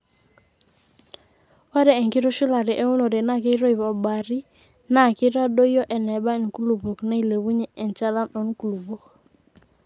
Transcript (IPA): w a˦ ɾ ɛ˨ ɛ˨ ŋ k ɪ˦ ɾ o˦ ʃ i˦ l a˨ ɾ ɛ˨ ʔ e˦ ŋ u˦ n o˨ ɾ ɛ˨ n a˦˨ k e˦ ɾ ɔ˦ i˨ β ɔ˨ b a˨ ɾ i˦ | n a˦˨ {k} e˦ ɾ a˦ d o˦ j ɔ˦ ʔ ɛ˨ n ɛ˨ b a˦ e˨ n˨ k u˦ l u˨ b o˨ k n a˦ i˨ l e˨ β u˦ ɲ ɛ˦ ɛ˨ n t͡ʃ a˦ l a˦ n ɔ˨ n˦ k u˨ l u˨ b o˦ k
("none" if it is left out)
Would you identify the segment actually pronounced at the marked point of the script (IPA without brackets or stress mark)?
k